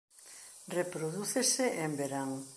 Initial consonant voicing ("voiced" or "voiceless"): voiced